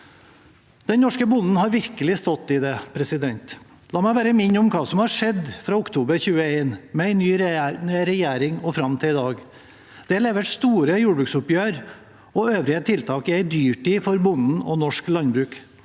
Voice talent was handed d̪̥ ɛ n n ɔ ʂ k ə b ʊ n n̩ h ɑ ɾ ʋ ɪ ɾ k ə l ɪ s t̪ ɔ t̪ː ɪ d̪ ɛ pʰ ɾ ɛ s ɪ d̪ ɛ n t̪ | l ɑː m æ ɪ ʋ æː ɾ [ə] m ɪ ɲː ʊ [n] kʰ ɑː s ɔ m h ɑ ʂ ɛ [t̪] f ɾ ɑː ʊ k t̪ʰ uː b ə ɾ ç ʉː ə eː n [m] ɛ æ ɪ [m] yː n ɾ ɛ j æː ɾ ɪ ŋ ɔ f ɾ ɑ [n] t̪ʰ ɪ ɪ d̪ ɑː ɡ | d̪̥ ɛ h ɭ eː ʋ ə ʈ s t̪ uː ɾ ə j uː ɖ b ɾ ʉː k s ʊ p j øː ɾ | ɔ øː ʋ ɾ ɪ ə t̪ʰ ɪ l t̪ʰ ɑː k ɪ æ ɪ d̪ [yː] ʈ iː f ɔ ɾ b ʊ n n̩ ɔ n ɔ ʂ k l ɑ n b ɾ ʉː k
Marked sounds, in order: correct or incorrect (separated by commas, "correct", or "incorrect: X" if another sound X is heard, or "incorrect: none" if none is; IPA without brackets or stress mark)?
correct, incorrect: m, incorrect: d̪, correct, incorrect: n, incorrect: m, correct